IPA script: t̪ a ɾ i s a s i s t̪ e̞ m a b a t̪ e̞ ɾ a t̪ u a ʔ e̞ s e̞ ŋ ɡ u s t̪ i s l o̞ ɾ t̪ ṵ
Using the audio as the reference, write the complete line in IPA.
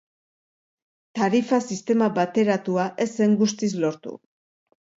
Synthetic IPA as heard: t̪ a ɾ i f a s i s t̪ e̞ m a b a t̪ e̞ ɾ a t̪ u a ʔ e̞ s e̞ ŋ ɡ u s t̪ i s l o̞ ɾ t̪ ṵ